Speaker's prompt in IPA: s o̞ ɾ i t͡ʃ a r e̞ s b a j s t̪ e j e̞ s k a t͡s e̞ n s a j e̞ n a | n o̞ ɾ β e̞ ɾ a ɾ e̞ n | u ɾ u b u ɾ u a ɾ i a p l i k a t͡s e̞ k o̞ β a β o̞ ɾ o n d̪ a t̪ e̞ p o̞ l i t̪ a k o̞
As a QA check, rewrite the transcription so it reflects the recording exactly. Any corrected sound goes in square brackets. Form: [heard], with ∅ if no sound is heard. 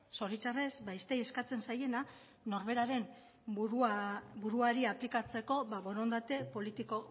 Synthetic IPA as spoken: s o̞ ɾ i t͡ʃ a r e̞ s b a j s t̪ e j e̞ s k a t͡s e̞ n s a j e̞ n a | n o̞ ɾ β e̞ ɾ a ɾ e̞ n | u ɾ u b u ɾ u a ɾ i a p l i k a t͡s e̞ k o̞ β a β o̞ ɾ o n d̪ a t̪ e̞ p o̞ l i t̪ [i] k o̞

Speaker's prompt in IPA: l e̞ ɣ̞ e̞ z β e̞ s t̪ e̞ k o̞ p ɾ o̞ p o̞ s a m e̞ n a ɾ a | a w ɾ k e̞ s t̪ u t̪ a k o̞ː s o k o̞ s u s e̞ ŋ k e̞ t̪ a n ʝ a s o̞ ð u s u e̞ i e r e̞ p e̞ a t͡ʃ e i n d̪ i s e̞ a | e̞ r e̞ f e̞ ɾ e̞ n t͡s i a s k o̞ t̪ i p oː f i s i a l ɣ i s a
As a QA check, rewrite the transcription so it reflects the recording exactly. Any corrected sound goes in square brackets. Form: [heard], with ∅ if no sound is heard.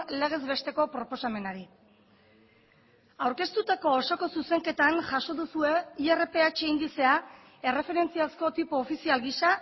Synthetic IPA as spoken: l e̞ ɣ̞ e̞ z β e̞ s t̪ e̞ k o̞ p ɾ o̞ p o̞ s a m e̞ n a ɾ [i] | a w ɾ k e̞ s t̪ u t̪ a k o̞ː s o k o̞ s u s e̞ ŋ k e̞ t̪ a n ʝ a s o̞ ð u s u e̞ i e r e̞ p e̞ a t͡ʃ e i n d̪ i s e̞ a | e̞ r e̞ f e̞ ɾ e̞ n t͡s i a s k o̞ t̪ i p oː f i s i a l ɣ i s a

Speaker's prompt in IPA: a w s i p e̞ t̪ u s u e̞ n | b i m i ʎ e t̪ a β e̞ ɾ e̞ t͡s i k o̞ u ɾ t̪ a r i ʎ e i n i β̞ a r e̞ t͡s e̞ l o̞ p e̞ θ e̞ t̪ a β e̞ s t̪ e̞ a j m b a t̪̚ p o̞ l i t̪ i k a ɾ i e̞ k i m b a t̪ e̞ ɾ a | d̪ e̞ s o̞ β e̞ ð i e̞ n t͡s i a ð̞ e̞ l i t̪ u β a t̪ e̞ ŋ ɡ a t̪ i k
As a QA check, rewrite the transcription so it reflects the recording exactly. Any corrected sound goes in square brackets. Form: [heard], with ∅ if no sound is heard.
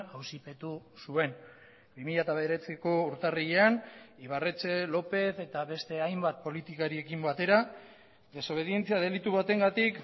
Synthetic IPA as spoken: a w s i p e̞ t̪ u s u e̞ n | b i m i ʎ [a] t̪ a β e̞ ɾ e̞ t͡s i k o̞ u ɾ t̪ a r i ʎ e [a] n i β̞ a r e̞ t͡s e̞ l o̞ p e̞ θ e̞ t̪ a β e̞ s t̪ e̞ a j m b a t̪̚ p o̞ l i t̪ i k a ɾ i e̞ k i m b a t̪ e̞ ɾ a | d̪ e̞ s o̞ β e̞ ð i e̞ n t͡s i a ð̞ e̞ l i t̪ u β a t̪ e̞ ŋ ɡ a t̪ i k

